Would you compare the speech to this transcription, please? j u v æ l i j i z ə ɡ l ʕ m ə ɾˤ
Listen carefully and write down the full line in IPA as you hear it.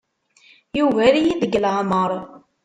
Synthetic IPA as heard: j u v æ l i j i ð ə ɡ l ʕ m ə ɾˤ